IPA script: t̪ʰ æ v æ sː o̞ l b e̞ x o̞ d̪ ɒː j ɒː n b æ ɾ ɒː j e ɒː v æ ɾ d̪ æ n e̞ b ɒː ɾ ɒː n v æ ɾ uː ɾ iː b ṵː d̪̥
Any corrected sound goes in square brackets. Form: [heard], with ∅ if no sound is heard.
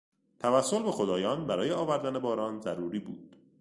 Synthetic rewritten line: t̪ʰ æ v æ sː o̞ l b e̞ x o̞ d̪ ɒː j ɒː n b æ ɾ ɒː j e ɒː v æ ɾ d̪ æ n e̞ b ɒː ɾ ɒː n [z] æ ɾ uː ɾ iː b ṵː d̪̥